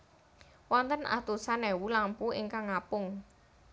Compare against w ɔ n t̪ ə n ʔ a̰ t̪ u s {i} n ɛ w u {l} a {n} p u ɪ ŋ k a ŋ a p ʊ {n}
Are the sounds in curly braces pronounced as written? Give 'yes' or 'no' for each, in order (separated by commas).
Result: no, yes, no, no